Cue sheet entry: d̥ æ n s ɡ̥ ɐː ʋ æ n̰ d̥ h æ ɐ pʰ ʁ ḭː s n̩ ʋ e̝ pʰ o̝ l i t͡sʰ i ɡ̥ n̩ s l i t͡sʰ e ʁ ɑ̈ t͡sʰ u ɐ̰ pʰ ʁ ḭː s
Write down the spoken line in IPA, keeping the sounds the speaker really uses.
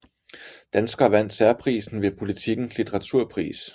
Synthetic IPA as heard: d̥ æ n s ɡ̥ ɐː ʋ æ n̰ d̥ s æ ɐ pʰ ʁ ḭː s n̩ ʋ e̝ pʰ o̝ l i t͡sʰ i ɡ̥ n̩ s l i t͡sʰ e ʁ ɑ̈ t͡sʰ u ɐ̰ pʰ ʁ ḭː s

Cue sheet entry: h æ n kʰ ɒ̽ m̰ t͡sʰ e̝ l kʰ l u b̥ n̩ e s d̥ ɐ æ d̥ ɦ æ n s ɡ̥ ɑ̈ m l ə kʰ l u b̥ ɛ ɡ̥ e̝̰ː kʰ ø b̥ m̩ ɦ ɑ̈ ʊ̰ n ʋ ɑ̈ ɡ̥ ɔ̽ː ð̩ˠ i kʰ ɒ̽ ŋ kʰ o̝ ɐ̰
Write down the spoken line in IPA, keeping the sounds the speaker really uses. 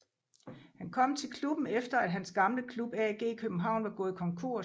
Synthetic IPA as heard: h æ n kʰ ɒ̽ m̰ t͡sʰ e̝ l kʰ l u b̥ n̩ e f d̥ ɐ æ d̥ ɦ æ n s ɡ̥ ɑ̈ m l ə kʰ l u b̥ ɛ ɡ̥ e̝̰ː kʰ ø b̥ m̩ ɦ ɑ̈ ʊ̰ n ʋ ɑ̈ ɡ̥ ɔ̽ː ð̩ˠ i kʰ ɒ̽ ŋ kʰ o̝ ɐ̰

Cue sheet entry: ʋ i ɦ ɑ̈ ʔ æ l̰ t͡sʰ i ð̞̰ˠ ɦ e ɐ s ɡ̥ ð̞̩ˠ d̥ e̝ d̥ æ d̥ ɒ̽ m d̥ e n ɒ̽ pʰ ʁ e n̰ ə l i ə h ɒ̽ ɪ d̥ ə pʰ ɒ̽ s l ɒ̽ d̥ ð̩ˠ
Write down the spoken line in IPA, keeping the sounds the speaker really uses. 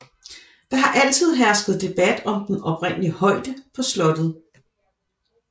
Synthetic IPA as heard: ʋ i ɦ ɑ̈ ʔ æ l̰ t͡sʰ i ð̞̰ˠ ɦ æ ɐ s ɡ̥ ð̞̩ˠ d̥ e̝ b̥ æ d̥ ɒ̽ m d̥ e n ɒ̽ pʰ ʁ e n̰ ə l i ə h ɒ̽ ɪ d̥ ə pʰ ɒ̽ s l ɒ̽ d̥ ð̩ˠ

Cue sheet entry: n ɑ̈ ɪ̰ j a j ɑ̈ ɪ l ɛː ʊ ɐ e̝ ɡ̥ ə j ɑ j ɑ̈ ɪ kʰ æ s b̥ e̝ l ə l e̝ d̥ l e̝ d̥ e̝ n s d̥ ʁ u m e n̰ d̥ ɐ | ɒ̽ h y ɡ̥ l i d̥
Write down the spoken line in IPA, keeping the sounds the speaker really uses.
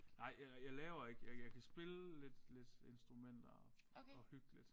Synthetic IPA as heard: n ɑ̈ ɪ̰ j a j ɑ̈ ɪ l ɛː ʊ ɐ e̝ ɡ̥ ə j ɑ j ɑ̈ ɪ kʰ æ s b̥ e̝ l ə l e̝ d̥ l e̝ d̥ e̝ n s d̥ ʁ u m e n̰ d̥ ɐ | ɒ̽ h y ɡ̥ l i d̥

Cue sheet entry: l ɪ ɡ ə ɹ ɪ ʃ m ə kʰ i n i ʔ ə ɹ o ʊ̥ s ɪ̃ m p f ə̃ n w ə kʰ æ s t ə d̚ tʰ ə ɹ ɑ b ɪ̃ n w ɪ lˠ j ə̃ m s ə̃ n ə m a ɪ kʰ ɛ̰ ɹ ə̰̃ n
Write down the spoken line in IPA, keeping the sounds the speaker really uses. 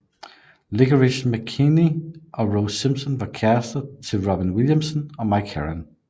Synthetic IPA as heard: l ɪ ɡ ə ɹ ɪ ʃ m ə kʰ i n i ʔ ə ɹ o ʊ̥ s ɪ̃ m p s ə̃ n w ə kʰ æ s t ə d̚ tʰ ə ɹ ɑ b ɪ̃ n w ɪ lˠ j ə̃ m s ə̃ n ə m a ɪ kʰ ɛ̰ ɹ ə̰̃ n

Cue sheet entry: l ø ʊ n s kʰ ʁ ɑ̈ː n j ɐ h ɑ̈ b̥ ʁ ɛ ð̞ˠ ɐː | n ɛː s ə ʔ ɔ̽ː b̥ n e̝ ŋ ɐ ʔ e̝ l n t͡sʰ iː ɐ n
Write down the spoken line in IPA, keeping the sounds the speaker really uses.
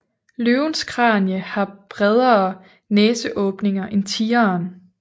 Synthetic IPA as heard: l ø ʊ n s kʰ ʁ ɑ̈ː n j ə h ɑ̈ b̥ ʁ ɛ ð̞ˠ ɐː | n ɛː s ə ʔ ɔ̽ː b̥ n e̝ ŋ ɐ ʔ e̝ n t͡sʰ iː ɐ n

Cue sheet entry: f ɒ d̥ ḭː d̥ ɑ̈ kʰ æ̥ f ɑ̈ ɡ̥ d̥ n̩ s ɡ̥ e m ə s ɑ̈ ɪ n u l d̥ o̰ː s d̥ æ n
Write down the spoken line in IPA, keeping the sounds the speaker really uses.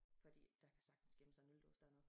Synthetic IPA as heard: f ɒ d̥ ḭː d̥ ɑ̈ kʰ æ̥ s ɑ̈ ɡ̥ d̥ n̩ s ɡ̥ e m ə s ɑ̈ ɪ n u l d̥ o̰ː s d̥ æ n

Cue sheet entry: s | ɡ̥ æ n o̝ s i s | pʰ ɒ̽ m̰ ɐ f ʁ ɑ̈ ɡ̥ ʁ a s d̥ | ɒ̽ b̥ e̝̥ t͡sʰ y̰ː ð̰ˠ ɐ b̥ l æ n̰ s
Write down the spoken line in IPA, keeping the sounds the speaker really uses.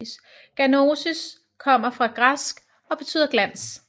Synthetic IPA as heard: s | ɡ̥ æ n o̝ s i s | kʰ ɒ̽ m̰ ɐ f ʁ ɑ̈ ɡ̥ ʁ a s ɡ̥ | ɒ̽ b̥ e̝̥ t͡sʰ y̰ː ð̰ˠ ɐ ɡ̥ l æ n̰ s

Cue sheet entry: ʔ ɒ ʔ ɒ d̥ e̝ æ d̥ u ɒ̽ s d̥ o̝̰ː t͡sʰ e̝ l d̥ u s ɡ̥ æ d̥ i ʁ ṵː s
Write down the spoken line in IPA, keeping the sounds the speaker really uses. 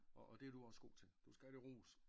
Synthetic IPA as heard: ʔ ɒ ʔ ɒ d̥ e̝ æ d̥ u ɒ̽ s ɡ̥ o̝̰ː t͡sʰ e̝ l d̥ u s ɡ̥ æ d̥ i ʁ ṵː s

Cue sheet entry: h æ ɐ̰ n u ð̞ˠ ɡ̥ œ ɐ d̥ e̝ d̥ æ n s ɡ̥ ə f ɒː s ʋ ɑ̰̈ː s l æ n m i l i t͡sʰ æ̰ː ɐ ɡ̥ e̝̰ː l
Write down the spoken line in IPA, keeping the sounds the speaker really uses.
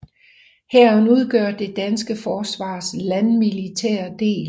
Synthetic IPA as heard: h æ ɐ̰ n u ð̞ˠ ɡ̥ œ ɐ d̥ e̝ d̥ æ n s ɡ̥ ə f ɒː s ʋ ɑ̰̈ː s l æ n m i l i t͡sʰ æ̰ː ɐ d̥ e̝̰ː l

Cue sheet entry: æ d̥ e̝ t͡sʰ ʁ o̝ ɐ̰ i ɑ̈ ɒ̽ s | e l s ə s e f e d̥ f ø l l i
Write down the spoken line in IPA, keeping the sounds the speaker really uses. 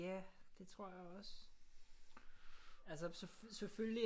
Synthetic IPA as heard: æ d̥ e̝ t͡sʰ ʁ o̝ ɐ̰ j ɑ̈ ɒ̽ s | æ l s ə s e s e f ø l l i

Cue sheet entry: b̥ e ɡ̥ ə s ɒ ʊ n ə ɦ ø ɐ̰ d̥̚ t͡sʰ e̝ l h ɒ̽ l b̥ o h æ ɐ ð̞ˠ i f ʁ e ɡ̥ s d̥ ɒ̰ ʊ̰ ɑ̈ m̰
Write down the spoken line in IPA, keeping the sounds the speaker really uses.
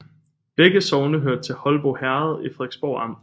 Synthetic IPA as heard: b̥ e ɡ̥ ə s ɒ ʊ n ə ɦ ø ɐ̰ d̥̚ t͡sʰ e̝ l h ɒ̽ l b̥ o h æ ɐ ð̞ˠ i f ʁ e ɡ̥ s b̥ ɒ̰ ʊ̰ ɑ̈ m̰

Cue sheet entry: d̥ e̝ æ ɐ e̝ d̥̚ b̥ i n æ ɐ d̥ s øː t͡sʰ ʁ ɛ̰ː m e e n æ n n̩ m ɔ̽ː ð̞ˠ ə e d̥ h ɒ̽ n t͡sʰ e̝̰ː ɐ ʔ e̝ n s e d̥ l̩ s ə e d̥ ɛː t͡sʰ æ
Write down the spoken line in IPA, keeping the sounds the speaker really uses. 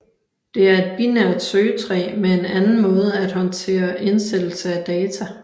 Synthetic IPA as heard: d̥ e̝ æ ɐ e̝ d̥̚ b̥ i n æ ɐ d̥ s øː t͡sʰ ʁ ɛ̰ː m e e n æ n n̩ m ɔ̽ː ð̞ˠ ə æ d̥ h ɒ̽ n t͡sʰ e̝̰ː ɐ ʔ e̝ n s e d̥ l̩ s ə æ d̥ ɛː t͡sʰ æ

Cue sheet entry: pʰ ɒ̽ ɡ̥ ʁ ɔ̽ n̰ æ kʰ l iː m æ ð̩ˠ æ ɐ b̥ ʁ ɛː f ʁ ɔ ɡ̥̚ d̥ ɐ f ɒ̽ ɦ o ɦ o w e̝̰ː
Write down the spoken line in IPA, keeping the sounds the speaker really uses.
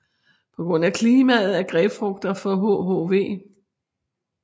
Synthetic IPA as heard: pʰ ɒ̽ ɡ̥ ʁ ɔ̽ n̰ æ kʰ l iː m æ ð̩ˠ æ ɐ ɡ̥ ʁ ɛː f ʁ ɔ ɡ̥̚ d̥ ɐ f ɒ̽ ɦ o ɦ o ʋ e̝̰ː

